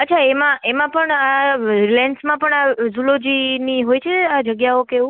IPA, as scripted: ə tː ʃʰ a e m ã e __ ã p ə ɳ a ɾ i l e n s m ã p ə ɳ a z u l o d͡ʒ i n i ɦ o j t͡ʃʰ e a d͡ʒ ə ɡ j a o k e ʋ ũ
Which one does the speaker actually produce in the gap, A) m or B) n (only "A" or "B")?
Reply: A